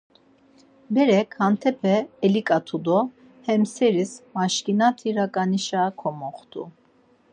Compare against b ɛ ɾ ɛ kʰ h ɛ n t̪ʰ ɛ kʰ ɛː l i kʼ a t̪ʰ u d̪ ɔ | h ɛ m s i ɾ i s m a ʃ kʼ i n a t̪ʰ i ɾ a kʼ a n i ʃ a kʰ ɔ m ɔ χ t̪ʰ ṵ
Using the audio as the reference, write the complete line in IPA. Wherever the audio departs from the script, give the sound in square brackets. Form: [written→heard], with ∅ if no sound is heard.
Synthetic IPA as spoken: b ɛ ɾ ɛ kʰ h [ɛ→a] n t̪ʰ ɛ [kʰ→pʰ] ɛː l i kʼ a t̪ʰ u d̪ ɔ | h ɛ m s [i→ɛ] ɾ i s m a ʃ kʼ i n a t̪ʰ i ɾ a kʼ a n i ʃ a kʰ ɔ m ɔ χ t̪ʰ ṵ